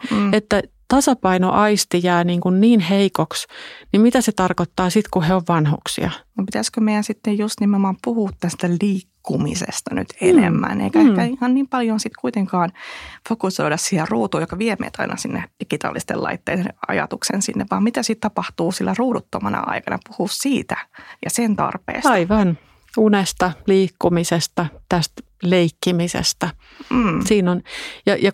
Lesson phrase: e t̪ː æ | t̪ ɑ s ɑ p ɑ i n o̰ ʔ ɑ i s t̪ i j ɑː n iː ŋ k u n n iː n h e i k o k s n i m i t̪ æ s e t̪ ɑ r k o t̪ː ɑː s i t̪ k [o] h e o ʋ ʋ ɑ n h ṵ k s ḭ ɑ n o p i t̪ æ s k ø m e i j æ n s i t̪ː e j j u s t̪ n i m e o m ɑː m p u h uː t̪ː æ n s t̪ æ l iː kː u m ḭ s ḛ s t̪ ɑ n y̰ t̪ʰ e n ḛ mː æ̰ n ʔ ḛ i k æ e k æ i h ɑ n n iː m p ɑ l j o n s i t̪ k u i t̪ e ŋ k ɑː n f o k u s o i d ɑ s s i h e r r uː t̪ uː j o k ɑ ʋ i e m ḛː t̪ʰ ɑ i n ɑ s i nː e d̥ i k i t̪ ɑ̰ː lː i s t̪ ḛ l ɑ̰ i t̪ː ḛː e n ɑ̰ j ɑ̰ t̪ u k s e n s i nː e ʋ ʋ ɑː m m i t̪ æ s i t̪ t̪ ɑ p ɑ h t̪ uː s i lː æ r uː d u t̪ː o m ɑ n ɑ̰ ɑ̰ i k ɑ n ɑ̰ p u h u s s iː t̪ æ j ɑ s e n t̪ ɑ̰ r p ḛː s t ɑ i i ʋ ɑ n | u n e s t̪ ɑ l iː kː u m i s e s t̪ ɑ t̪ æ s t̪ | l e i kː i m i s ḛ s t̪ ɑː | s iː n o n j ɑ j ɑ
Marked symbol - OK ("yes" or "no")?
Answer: no